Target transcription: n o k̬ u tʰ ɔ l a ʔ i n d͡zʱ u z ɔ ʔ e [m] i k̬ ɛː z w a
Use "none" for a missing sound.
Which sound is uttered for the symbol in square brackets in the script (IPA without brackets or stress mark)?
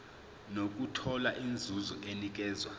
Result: n